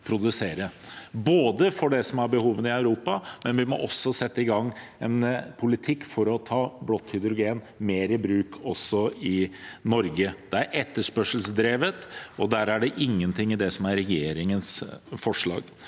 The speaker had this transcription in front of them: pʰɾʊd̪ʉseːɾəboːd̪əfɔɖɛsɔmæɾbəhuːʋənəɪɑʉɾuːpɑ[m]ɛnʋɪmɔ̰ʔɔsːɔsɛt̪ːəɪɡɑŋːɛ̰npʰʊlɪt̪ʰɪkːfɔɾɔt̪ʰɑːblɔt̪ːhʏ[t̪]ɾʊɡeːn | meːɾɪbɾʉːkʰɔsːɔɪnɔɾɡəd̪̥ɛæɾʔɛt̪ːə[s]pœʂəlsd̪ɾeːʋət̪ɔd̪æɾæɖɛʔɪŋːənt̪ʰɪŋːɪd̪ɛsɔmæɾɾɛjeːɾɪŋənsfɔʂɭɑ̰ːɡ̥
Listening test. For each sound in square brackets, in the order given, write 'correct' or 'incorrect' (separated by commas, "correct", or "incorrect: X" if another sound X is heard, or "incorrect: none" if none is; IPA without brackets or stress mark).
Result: correct, incorrect: d̪, incorrect: ʂ